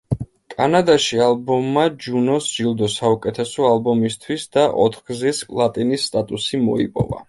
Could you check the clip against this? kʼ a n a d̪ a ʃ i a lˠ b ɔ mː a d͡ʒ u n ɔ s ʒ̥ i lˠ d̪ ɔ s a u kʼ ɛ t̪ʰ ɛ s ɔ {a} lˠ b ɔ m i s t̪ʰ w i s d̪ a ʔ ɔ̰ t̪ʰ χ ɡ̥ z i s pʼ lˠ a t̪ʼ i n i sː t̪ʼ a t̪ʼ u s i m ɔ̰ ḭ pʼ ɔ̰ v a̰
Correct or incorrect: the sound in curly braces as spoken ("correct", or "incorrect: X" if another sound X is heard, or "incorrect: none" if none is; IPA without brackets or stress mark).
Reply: correct